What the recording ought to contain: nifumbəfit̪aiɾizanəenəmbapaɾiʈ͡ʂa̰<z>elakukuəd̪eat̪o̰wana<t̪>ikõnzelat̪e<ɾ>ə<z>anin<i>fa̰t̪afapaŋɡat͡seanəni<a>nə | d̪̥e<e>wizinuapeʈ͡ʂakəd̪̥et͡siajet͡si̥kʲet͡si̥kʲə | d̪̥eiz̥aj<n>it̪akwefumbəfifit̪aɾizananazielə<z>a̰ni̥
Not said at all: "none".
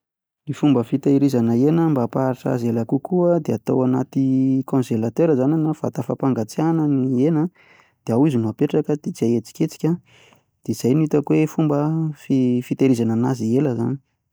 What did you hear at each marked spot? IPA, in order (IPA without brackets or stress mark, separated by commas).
z, t̪, ɾ, z, a, e, a, n, z